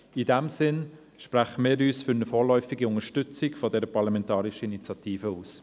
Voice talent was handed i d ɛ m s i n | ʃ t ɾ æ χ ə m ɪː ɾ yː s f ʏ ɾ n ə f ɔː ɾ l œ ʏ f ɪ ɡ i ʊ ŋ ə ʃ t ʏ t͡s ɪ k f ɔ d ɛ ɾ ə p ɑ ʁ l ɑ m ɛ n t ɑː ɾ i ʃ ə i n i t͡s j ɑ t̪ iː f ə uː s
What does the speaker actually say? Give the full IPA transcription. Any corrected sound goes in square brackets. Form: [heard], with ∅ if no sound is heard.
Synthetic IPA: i d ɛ m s [ɪ] n | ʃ [p] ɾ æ χ ə m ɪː ɾ yː s f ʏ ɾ n ə f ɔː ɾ l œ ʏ f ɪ ɡ i ʊ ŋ ə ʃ t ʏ t͡s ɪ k f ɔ d ɛ ɾ ə p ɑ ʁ l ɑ m ɛ n t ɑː ɾ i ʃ ə i n i t͡s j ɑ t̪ iː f ə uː s